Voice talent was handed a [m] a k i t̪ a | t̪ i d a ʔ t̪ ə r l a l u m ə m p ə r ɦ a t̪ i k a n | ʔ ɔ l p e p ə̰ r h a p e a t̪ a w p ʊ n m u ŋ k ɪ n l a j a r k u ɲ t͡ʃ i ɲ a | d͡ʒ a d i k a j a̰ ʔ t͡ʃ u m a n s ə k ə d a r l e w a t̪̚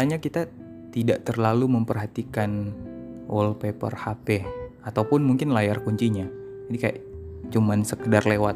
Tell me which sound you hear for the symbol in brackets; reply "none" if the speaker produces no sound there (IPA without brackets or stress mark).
ɲ